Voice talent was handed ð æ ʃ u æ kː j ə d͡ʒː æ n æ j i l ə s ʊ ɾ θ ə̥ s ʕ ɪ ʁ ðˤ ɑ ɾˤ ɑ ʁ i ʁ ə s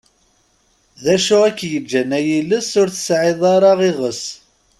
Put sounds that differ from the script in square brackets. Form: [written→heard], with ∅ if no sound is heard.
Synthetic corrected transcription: ð æ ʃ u æ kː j ə d͡ʒː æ n æ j i l ə s ʊ ɾ θ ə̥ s ʕ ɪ [ʁ→∅] ðˤ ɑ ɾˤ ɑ ʁ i ʁ ə s